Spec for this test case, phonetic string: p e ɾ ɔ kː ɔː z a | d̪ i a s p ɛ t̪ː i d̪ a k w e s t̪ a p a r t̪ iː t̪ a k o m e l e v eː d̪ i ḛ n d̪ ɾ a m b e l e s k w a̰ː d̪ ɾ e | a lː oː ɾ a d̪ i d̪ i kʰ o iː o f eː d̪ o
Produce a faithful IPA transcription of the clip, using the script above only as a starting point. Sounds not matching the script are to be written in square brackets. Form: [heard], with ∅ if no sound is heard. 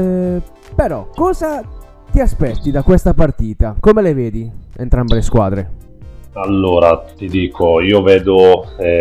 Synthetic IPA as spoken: p e ɾ ɔ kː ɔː z a | [t̪] i a s p ɛ t̪ː i d̪ a k w e s t̪ a p a r t̪ iː t̪ a k o m e l e v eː d̪ i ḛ n [t̪] ɾ a m b e l e s k w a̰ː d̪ ɾ e | a lː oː ɾ a [t̪] i d̪ [iː] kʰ o iː o [v] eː d̪ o